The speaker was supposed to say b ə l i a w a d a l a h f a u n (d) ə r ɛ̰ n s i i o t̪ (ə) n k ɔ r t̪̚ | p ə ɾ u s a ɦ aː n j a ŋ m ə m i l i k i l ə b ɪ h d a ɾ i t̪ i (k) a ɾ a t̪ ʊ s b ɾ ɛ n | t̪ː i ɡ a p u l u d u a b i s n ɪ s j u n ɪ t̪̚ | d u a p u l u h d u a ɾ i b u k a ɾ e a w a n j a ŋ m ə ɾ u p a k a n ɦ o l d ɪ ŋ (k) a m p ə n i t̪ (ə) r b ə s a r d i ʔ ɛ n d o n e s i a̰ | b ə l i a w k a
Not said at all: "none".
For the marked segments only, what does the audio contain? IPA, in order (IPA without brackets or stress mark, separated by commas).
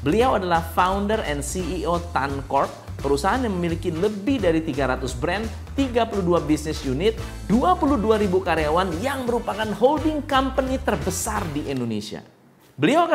d, a, ɡ, k, ə